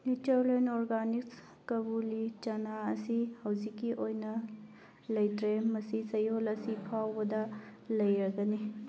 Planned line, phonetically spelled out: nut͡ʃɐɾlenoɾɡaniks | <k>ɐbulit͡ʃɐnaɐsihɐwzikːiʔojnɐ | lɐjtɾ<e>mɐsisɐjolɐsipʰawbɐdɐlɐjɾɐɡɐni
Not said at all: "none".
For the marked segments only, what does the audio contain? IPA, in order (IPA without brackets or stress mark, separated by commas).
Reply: k, e